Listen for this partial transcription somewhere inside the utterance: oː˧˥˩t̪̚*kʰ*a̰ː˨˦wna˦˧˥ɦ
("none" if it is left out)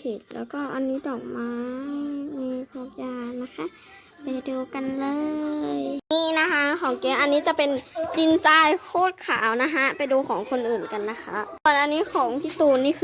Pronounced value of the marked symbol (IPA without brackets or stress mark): kʰ